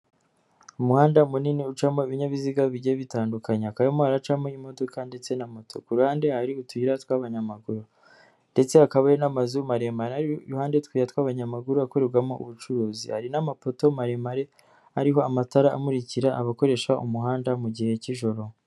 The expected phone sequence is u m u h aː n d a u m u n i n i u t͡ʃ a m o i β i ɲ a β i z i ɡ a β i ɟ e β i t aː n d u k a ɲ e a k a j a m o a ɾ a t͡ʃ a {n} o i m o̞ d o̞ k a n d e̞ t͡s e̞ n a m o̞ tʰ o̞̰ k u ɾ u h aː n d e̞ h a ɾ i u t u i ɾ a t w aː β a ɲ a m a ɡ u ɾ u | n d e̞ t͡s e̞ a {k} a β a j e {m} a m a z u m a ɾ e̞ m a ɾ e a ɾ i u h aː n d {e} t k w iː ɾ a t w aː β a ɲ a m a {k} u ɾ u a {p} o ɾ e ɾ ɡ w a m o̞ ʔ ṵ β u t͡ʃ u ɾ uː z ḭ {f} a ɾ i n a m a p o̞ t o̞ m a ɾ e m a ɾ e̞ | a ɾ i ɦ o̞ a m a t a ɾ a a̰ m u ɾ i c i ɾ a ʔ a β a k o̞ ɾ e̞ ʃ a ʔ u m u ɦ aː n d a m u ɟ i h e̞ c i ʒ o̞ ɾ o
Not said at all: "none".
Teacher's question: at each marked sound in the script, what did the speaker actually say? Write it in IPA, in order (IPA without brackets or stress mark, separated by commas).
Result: m, k, n, e, ɡ, k, h